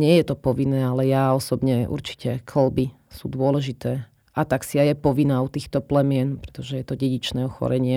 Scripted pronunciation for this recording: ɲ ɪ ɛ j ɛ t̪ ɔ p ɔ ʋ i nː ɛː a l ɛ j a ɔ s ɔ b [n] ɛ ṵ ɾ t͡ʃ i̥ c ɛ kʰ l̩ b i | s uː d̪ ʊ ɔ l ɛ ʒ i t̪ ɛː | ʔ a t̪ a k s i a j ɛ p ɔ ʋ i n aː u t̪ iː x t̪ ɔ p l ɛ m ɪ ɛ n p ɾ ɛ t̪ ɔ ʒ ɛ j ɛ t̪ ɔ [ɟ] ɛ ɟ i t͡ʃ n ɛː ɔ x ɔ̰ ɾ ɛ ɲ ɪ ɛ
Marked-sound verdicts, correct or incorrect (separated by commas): incorrect, correct